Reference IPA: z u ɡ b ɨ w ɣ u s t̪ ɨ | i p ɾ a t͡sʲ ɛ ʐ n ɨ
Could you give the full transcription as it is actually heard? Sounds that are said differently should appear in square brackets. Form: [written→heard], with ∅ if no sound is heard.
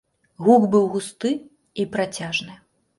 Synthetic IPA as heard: [z→ɣ] u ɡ b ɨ w ɣ u s t̪ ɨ | i p ɾ a t͡sʲ [ɛ→a] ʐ n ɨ